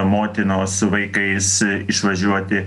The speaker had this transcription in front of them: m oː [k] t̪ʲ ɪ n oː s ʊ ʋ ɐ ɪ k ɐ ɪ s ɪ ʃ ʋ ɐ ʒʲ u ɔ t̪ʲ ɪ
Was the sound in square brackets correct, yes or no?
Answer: no